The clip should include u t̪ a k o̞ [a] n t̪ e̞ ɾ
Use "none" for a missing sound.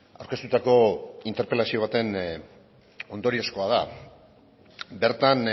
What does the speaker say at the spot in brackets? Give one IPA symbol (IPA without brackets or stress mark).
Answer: i